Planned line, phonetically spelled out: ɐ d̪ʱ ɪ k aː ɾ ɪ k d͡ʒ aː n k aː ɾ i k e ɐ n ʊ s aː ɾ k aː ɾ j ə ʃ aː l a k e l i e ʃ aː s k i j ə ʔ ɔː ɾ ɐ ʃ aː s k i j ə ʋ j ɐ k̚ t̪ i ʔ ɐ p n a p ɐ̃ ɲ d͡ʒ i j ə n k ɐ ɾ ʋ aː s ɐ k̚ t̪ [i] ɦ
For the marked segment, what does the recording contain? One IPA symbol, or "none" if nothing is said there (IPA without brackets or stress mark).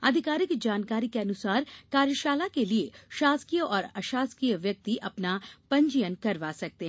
e